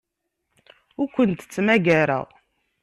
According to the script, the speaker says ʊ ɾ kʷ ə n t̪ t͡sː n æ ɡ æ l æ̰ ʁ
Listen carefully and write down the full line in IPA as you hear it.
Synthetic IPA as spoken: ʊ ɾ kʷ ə n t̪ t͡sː m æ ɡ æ ɾ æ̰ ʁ